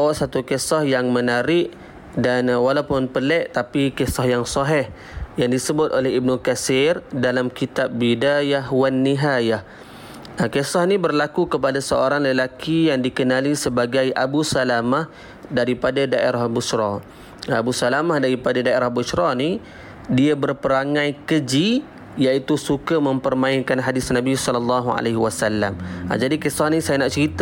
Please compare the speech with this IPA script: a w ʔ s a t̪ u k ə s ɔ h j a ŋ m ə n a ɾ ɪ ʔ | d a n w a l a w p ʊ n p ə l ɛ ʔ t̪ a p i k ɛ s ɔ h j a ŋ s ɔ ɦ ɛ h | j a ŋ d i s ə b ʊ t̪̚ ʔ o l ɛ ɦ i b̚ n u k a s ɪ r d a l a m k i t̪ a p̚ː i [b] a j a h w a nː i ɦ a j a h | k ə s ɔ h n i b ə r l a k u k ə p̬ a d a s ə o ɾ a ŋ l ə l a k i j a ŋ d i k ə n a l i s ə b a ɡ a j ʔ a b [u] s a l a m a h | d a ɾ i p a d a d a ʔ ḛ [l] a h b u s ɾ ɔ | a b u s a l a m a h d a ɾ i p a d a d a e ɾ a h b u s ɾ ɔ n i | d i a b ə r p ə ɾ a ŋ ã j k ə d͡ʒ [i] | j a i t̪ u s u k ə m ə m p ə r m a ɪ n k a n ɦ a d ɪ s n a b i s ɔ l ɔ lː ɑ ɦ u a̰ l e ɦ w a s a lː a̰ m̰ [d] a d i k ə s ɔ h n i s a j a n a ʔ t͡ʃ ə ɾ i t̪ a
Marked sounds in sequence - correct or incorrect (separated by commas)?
incorrect, correct, incorrect, correct, incorrect